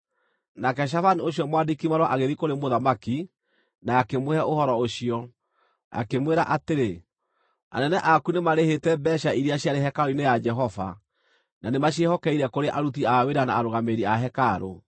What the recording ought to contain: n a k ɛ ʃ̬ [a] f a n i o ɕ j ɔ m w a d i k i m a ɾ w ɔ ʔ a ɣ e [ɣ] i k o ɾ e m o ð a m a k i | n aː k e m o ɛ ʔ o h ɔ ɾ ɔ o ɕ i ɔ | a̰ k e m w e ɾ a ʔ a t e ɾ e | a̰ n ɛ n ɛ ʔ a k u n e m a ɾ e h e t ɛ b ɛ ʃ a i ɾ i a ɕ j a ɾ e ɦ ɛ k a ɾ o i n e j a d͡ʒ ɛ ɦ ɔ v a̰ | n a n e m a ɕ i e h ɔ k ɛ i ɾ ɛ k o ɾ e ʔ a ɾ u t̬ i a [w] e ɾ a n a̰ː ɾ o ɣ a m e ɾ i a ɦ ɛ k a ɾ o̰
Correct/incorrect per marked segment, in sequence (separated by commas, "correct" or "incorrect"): correct, incorrect, correct